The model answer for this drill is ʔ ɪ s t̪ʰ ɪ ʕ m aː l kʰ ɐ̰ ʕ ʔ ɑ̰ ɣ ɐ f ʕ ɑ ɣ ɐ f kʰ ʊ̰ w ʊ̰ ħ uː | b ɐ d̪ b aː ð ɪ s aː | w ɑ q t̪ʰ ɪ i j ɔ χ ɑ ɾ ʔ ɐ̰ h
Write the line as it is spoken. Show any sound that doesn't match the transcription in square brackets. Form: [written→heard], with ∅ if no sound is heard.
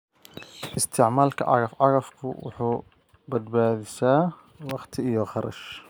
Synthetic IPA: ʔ ɪ s t̪ʰ ɪ ʕ m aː l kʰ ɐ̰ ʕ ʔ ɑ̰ ɣ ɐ f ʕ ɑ ɣ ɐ f kʰ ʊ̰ w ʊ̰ ħ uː | b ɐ d̪ b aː ð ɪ s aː | w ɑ q t̪ʰ ɪ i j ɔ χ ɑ ɾ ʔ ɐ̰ [h→ʃ]